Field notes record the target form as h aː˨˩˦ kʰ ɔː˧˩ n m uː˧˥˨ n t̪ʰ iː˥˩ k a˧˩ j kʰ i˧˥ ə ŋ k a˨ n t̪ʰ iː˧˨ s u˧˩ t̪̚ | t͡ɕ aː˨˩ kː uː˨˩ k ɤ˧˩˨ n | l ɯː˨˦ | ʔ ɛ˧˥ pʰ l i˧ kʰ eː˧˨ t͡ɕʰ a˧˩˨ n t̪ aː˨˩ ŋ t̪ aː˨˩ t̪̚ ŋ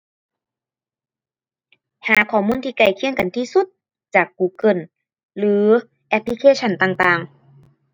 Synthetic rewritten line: h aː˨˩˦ kʰ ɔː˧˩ m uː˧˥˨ n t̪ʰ iː˧ k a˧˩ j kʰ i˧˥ ə ŋ k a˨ n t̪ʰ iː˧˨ s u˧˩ t̪̚ | t͡ɕ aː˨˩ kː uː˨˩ k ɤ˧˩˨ n | l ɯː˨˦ | ʔ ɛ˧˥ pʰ l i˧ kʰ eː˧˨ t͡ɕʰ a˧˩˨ n t̪ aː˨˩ ŋ t̪ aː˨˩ ŋ

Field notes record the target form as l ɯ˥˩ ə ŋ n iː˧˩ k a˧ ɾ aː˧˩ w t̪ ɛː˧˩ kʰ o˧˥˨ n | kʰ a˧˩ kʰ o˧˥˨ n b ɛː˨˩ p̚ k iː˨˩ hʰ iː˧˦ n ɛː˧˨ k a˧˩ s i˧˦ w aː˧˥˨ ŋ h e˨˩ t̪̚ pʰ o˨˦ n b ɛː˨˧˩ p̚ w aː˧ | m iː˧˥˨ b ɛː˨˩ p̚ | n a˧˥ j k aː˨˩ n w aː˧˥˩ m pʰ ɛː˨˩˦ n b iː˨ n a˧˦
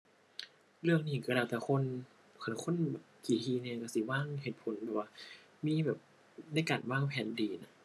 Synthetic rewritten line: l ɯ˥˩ ə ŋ n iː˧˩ k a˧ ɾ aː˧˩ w t̪ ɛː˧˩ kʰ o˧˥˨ n | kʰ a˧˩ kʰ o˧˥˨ n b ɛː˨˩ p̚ k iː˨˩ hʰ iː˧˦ n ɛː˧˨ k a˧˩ s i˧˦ w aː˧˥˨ ŋ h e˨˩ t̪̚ pʰ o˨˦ n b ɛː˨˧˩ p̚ w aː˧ | m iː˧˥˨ b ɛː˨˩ p̚ | n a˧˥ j k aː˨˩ n w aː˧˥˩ ŋ pʰ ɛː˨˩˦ n d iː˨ n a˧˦

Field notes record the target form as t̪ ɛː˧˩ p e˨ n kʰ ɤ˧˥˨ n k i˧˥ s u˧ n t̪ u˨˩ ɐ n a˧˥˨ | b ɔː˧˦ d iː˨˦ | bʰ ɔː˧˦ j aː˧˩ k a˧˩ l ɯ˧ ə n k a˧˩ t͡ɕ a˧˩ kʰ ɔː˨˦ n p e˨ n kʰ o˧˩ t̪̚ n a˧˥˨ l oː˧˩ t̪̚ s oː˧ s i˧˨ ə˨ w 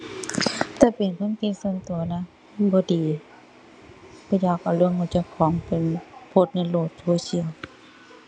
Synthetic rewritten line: t̪ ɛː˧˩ p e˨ n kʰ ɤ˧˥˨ n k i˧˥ s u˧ n t̪ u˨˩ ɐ n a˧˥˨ | b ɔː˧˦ d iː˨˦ | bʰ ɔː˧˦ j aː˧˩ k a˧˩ l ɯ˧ ə ŋ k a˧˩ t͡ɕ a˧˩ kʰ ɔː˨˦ ŋ p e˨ n pʰ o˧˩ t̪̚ n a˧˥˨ l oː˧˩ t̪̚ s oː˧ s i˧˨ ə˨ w

